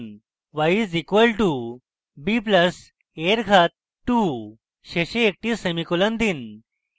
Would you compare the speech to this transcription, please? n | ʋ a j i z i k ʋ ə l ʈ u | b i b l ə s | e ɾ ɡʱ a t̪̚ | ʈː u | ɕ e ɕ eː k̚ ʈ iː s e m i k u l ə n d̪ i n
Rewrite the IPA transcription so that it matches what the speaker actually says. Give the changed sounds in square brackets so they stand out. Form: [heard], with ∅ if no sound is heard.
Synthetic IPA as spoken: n | ʋ a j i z i k ʋ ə l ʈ u | b i [p] l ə s | e ɾ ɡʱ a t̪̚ | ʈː u | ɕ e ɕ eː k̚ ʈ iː s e m i k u l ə n d̪ i n